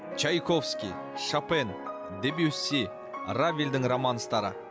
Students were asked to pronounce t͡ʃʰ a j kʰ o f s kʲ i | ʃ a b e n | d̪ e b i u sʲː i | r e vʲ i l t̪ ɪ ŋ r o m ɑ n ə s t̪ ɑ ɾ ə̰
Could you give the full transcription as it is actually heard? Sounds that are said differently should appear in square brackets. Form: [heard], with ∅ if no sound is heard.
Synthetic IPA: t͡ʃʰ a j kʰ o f s kʲ i | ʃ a [p] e n | d̪ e b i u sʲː i | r [a] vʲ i l [d̪] ɪ ŋ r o m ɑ n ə s t̪ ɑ ɾ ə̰